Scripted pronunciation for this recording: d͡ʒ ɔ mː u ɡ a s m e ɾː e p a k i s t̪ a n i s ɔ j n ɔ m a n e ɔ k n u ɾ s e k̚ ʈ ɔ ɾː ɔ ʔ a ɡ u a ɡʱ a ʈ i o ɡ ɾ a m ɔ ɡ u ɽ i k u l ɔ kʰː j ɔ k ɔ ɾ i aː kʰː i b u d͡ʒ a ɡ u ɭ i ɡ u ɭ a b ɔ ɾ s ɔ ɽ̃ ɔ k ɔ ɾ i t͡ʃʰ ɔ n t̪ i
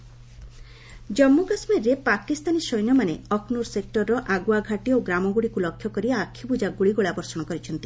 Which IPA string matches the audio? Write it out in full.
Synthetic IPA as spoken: d͡ʒ ɔ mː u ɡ a s m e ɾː e p a k i s t̪ a n i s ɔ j n ɔ m a n e ɔ k n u ɾ s e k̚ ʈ ɔ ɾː ɔ ʔ a ɡ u a ɡʱ a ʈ i o ɡ ɾ a m ɔ ɡ u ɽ i k u l ɔ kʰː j ɔ k ɔ ɾ i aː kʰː i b u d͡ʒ a ɡ u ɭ i ɡ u ɭ a b ɔ ɾ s ɔ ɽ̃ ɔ k ɔ ɾ i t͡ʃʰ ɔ n t̪ i

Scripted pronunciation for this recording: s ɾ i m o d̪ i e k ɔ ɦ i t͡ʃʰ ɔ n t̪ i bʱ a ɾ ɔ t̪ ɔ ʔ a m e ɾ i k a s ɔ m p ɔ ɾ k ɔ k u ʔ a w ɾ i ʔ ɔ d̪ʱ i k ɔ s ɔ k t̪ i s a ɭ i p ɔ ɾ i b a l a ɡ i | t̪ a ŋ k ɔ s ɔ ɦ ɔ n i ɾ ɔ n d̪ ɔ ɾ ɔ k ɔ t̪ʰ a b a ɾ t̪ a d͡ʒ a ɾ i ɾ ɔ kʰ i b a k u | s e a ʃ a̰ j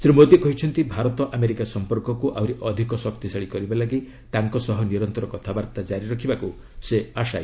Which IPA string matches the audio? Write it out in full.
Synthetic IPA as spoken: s ɾ i m o d̪ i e k ɔ ɦ i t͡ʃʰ ɔ n t̪ i bʱ a ɾ ɔ t̪ ɔ ʔ a m e ɾ i k a s ɔ m p ɔ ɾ k ɔ k u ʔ a w ɾ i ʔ ɔ d̪ʱ i k ɔ s ɔ k t̪ i s a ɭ i k ɔ ɾ i b a l a ɡ i | t̪ a ŋ k ɔ s ɔ ɦ ɔ n i ɾ ɔ n t̪ ɔ ɾ ɔ k ɔ t̪ʰ a b a ɾ t̪ a d͡ʒ a ɾ i ɾ ɔ kʰ i b a k u | s e a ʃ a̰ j

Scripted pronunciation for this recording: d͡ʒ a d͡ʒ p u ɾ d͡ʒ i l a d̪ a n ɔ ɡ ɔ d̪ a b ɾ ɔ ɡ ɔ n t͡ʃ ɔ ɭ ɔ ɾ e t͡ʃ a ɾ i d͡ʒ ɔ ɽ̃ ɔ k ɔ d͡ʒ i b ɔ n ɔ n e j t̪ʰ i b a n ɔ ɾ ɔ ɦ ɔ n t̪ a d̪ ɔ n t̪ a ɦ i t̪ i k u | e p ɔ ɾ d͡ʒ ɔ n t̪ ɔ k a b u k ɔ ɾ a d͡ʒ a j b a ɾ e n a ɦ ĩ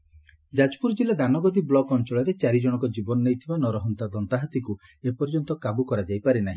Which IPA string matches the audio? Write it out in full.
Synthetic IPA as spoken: d͡ʒ a d͡ʒ p u ɾ d͡ʒ i l a d̪ a n ɔ ɡ ɔ d̪ i b l ɔ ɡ ɔ n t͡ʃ ɔ ɭ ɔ ɾ e t͡ʃ a ɾ i d͡ʒ ɔ ɽ̃ ɔ k ɔ d͡ʒ i b ɔ n ɔ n e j t̪ʰ i b a n ɔ ɾ ɔ ɦ ɔ n t̪ a d̪ ɔ n t̪ a ɦ a t̪ i k u | e p ɔ ɾ d͡ʒ ɔ n t̪ ɔ k a b u k ɔ ɾ a d͡ʒ a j p a ɾ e n a ɦ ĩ

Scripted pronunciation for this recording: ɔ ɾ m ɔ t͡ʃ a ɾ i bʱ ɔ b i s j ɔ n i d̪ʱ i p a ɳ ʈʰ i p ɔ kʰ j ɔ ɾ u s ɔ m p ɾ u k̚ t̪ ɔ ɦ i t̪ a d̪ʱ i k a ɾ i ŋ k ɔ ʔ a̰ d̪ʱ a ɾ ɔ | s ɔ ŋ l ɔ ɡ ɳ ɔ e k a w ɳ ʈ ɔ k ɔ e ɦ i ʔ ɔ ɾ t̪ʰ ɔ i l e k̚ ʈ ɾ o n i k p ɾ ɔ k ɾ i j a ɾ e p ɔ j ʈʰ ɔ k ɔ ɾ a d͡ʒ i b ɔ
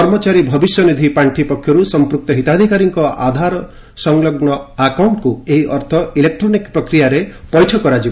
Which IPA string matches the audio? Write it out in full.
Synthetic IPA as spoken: ɔ ɾ m ɔ t͡ʃ a ɾ i bʱ ɔ b i s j ɔ n i d̪ʱ i p a ɳ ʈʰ i p ɔ kʰ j ɔ ɾ u s ɔ m p ɾ u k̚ t̪ ɔ ɦ i t̪ a d̪ʱ i k a ɾ i ŋ k ɔ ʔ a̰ d̪ʱ a ɾ ɔ | s ɔ ŋ l ɔ ɡ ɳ ɔ a k a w ɳ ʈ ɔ k u e ɦ i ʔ ɔ ɾ t̪ʰ ɔ i l e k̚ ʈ ɾ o n i k p ɾ ɔ k ɾ i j a ɾ e p ɔ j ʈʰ ɔ k ɔ ɾ a d͡ʒ i b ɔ

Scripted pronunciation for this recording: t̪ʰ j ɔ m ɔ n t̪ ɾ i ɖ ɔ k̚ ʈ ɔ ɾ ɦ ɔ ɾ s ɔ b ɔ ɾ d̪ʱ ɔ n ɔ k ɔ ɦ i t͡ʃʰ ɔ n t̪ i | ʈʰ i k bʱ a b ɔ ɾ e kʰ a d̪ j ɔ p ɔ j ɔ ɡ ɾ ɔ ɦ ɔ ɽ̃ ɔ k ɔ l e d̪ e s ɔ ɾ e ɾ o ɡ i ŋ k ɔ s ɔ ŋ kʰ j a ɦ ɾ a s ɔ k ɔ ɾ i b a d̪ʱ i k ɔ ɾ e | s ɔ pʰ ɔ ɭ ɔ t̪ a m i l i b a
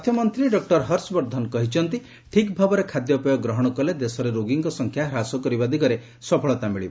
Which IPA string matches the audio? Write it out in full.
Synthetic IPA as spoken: t̪ʰ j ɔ m ɔ n t̪ ɾ i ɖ ɔ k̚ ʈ ɔ ɾ ɦ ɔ ɾ s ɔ b ɔ ɾ d̪ʱ ɔ n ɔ k ɔ ɦ i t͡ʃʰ ɔ n t̪ i | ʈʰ i k bʱ a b ɔ ɾ e kʰ a d̪ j ɔ p ɔ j ɔ ɡ ɾ ɔ ɦ ɔ ɽ̃ ɔ k ɔ l e d̪ e s ɔ ɾ e ɾ o ɡ i ŋ k ɔ s ɔ ŋ kʰ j a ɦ ɾ a s ɔ k ɔ ɾ i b a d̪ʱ i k ɔ ɾ e | s ɔ pʰ ɔ ɭ ɔ t̪ a m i ɭ i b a

